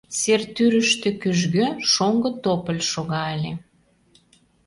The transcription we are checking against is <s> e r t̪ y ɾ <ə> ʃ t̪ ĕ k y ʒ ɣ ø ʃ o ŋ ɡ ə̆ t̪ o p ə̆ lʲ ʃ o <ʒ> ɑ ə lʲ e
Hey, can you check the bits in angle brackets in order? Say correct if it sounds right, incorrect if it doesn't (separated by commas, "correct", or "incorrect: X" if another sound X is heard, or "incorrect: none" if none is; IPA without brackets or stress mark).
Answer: correct, correct, incorrect: ɣ